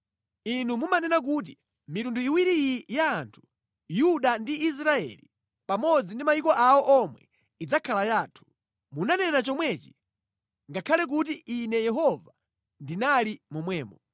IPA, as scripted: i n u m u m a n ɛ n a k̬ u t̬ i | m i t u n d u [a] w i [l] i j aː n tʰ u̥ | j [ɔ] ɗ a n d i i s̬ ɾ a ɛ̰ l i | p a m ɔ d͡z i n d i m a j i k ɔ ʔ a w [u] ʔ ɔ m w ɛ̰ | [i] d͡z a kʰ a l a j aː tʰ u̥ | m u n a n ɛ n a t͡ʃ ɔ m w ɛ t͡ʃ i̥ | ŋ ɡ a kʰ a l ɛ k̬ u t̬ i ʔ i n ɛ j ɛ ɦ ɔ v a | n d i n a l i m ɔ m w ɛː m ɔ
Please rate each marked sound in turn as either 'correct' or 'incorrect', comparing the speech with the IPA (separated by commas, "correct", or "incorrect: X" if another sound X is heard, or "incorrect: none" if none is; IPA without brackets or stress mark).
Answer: incorrect: i, incorrect: ɾ, incorrect: u, incorrect: ɔ, correct